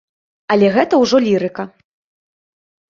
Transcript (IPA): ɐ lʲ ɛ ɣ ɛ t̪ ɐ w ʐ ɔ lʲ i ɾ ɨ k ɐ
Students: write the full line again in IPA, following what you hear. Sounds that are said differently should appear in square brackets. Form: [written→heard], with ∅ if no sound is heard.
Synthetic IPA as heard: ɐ lʲ ɛ ɣ ɛ t̪ ɐ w ʐ ɔ lʲ i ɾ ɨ k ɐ